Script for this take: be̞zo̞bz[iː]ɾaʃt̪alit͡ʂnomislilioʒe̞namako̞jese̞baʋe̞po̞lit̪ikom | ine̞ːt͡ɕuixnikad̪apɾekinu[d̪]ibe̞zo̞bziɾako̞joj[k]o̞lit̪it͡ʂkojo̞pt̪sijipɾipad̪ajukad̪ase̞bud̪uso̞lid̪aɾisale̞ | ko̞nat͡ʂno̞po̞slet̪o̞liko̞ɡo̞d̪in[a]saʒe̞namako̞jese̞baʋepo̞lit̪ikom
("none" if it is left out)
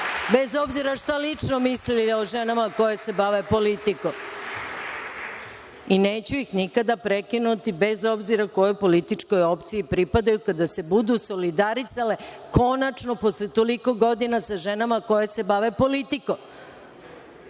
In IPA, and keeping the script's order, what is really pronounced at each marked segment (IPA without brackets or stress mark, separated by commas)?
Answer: i, t̪, p, a